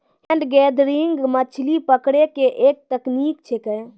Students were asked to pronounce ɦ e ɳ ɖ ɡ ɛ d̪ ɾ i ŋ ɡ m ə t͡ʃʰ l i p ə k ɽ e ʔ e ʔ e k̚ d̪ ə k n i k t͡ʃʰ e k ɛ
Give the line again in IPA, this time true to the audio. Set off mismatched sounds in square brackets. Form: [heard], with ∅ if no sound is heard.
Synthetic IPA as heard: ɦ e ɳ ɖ ɡ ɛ d̪ ɾ i ŋ ɡ m ə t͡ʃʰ l i p ə k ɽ e [k] e ʔ e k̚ [t̪] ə k n i k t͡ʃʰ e k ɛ